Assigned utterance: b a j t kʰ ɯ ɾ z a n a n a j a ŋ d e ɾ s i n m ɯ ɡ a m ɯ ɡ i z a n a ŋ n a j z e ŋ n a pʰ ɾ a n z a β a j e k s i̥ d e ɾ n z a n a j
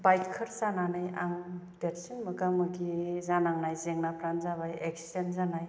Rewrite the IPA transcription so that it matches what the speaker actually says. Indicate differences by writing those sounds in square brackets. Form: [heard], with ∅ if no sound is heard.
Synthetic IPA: b a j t kʰ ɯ ɾ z a n a n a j a ŋ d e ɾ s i n m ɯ ɡ a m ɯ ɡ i z a n a ŋ n a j z e ŋ n a pʰ ɾ a n z a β a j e k s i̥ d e [∅] n z a n a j